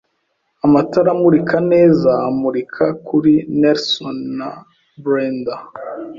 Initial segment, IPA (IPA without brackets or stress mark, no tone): a